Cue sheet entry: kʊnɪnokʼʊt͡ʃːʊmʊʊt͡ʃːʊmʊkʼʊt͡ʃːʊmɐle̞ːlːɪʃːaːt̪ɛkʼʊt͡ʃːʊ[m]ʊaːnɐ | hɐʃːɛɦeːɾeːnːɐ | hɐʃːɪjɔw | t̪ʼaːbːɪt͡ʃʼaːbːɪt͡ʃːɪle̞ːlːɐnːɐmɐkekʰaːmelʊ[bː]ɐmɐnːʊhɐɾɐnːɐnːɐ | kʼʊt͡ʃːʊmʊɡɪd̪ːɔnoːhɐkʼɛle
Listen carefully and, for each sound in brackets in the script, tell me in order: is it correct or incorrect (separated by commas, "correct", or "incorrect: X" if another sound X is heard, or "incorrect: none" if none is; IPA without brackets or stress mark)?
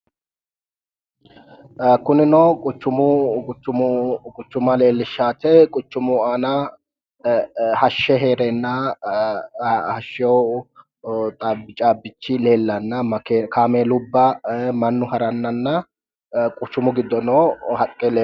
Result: correct, correct